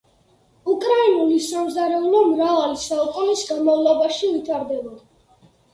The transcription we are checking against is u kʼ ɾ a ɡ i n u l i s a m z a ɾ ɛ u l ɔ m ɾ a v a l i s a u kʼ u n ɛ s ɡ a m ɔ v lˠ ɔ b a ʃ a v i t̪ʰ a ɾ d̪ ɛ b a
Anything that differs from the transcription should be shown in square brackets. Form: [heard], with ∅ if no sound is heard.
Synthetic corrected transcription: u kʼ ɾ a [∅] i n u l i s a m z a ɾ ɛ u l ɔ m ɾ a v a l i s a u kʼ u n [i] s ɡ a m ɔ v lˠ ɔ b a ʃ [i] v i t̪ʰ a ɾ d̪ ɛ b a